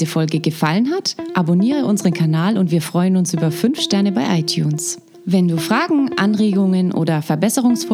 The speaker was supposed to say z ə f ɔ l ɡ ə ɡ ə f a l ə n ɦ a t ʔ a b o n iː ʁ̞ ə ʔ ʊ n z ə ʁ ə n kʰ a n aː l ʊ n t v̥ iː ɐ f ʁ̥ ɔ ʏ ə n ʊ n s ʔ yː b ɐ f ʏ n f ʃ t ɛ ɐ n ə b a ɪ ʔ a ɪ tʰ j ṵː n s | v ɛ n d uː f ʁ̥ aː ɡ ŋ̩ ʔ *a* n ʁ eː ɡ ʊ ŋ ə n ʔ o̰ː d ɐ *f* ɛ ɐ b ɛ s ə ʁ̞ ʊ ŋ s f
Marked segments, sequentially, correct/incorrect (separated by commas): correct, correct